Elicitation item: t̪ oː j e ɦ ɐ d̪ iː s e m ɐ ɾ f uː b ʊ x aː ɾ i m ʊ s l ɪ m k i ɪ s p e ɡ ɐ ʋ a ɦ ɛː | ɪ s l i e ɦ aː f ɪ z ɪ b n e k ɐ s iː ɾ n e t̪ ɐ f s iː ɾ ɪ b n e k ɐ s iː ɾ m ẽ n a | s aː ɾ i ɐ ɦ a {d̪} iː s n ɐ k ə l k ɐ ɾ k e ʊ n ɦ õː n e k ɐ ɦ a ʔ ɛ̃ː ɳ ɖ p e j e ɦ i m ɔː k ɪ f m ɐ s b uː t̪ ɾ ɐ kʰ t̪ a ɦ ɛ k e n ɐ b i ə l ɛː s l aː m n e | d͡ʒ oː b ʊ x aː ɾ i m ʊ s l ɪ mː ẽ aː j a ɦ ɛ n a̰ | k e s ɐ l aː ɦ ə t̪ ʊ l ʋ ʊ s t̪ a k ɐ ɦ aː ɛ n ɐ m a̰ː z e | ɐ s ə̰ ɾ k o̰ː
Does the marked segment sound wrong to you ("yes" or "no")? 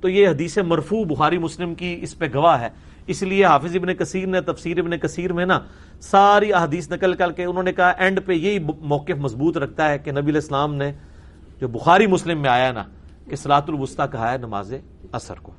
no